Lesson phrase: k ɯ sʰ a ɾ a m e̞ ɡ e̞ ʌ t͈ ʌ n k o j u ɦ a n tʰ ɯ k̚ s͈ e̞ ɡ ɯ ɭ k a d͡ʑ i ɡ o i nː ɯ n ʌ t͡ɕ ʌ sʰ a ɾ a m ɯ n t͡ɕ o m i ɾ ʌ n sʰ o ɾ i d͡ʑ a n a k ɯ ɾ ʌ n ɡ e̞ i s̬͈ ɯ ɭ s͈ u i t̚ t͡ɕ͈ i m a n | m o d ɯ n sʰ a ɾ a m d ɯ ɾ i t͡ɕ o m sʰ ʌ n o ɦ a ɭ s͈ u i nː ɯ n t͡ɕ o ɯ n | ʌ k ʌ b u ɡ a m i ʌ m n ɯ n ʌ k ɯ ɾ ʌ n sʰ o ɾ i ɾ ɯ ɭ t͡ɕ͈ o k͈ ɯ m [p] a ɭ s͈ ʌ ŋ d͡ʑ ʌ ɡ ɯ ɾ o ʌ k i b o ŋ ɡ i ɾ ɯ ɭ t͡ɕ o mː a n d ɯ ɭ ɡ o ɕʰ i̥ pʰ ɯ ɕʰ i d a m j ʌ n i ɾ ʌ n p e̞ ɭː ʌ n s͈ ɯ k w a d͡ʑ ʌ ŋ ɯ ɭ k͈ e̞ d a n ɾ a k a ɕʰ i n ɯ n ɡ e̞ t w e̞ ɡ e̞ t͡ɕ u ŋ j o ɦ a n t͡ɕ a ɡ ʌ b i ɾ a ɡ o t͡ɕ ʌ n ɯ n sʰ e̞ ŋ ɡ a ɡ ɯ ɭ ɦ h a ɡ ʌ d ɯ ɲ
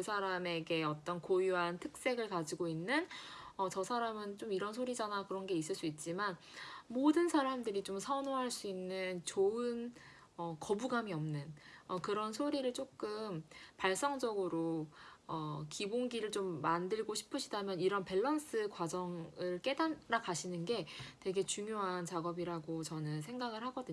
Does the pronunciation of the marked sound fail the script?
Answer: no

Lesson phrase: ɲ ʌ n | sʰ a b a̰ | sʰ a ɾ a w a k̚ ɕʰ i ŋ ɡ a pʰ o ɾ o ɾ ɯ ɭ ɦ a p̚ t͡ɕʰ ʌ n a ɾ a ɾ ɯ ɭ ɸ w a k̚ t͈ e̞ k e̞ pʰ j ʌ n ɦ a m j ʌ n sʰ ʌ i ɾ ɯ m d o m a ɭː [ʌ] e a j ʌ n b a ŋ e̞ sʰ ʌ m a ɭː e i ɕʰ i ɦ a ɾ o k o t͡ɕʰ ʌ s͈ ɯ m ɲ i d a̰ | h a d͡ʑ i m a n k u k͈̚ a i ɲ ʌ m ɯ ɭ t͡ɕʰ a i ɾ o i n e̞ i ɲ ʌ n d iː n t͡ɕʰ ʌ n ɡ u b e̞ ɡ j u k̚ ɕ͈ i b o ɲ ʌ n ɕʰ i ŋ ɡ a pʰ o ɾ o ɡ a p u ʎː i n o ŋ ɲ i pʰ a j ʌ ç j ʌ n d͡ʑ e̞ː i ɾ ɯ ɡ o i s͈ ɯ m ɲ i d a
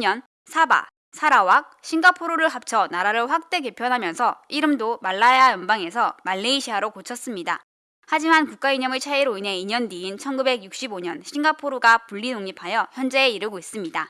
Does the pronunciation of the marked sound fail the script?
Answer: yes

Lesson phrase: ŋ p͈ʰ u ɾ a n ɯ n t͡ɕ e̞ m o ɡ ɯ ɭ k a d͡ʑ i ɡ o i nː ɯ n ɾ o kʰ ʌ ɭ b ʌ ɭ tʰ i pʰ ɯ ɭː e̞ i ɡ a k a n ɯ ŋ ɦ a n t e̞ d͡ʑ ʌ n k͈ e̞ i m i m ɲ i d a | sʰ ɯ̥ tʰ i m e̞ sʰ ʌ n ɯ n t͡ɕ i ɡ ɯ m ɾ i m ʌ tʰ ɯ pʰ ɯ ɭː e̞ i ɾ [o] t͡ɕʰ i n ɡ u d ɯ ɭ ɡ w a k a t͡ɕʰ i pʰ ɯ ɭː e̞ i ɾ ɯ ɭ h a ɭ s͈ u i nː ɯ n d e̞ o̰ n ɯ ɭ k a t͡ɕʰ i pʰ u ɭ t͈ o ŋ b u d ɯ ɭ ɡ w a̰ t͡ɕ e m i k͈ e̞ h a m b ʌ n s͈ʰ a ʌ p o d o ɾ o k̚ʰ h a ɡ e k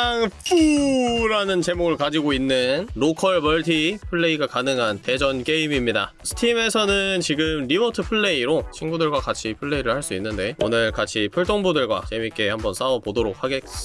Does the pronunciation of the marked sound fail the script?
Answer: no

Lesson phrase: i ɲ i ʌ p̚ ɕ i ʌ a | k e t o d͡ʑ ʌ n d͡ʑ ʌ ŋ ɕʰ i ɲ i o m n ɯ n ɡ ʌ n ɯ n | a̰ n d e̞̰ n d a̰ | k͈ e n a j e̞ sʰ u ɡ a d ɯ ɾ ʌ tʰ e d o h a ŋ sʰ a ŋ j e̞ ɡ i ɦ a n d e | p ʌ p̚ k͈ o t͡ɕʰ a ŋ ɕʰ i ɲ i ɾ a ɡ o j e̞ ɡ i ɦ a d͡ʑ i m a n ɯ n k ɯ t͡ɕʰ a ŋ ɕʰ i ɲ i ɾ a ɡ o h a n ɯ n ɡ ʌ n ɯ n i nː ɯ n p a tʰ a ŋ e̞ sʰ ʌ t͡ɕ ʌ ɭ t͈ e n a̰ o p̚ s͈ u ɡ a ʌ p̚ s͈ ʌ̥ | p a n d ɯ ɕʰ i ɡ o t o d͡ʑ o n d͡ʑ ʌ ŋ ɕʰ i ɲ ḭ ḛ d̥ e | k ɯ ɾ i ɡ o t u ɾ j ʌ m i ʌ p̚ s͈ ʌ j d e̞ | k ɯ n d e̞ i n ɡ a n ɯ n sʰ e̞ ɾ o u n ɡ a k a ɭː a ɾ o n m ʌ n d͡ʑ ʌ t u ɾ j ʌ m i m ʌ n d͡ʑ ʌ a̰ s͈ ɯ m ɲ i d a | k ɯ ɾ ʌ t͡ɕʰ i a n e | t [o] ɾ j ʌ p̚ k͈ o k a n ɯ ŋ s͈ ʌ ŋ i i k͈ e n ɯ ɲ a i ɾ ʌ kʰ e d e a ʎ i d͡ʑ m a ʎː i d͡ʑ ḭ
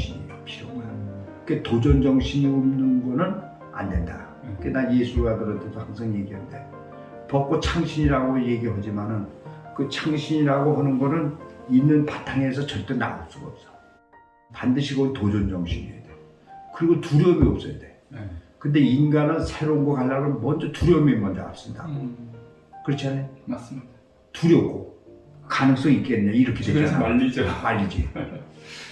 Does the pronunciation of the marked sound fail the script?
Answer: yes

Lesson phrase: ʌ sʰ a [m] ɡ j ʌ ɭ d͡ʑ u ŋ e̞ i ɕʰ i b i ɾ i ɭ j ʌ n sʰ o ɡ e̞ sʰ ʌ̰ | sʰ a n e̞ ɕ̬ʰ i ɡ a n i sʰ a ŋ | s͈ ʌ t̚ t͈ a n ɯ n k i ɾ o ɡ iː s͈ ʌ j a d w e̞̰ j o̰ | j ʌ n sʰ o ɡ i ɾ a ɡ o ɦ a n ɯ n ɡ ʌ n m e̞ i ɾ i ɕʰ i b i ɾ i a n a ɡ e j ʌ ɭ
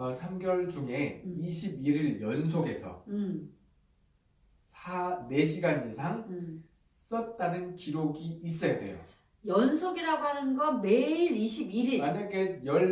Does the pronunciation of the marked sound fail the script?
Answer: no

